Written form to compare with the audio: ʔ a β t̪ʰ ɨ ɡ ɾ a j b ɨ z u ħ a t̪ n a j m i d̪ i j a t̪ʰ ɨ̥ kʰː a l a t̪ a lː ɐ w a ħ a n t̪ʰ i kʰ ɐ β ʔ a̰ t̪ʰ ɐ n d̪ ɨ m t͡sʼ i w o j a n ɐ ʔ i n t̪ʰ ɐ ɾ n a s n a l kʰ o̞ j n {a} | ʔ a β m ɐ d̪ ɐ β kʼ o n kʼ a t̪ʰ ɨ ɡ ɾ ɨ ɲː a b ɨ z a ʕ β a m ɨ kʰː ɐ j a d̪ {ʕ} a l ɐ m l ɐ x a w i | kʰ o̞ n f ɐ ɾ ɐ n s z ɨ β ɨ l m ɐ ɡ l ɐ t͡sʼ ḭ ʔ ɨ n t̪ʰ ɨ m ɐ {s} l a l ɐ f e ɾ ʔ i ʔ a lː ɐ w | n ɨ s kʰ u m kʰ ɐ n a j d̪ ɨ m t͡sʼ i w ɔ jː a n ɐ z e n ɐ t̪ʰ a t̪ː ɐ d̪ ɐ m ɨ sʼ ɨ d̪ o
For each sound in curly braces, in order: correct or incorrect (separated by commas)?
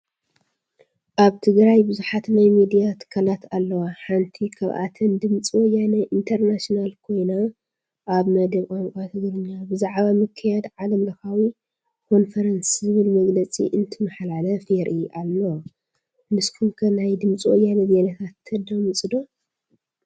correct, correct, incorrect